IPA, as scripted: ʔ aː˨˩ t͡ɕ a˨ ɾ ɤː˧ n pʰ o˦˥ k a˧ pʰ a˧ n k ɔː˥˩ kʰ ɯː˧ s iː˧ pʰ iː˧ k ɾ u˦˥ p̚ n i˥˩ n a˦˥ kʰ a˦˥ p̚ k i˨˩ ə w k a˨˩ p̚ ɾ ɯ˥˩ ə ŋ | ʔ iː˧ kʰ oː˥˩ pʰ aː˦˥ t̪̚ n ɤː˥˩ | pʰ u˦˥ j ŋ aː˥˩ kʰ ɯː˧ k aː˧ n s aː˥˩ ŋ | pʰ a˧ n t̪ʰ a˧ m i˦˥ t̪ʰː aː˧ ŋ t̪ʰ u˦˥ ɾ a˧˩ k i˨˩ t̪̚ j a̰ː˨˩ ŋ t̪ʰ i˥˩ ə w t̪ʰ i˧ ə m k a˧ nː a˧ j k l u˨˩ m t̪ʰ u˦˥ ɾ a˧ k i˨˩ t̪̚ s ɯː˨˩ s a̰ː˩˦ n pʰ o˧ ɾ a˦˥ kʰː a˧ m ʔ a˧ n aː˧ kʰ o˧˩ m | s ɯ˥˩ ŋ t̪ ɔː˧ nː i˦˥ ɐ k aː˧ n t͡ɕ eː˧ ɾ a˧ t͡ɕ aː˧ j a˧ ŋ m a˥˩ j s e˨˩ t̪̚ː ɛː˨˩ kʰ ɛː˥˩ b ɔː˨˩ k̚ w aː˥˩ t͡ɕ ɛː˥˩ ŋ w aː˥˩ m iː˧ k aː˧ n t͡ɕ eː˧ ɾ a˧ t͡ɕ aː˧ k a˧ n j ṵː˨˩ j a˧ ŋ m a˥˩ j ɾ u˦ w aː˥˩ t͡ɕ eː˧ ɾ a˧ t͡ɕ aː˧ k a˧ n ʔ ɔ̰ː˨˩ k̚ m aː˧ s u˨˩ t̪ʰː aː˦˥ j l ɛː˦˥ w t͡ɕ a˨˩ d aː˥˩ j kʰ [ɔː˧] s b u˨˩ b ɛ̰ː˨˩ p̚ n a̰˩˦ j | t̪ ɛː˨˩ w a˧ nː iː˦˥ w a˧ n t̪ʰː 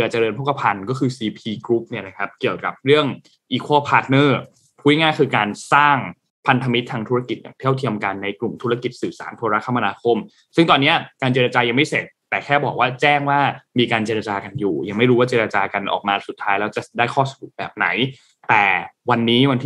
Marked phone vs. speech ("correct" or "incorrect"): incorrect